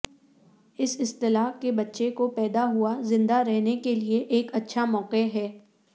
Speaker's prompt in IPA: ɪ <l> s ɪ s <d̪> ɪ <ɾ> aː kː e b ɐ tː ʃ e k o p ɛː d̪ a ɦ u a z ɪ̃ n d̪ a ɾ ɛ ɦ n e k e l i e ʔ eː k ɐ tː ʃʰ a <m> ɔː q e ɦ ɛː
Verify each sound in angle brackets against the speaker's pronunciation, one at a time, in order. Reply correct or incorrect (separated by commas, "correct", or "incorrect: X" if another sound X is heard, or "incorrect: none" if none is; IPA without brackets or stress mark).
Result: incorrect: none, incorrect: t̪, incorrect: l, correct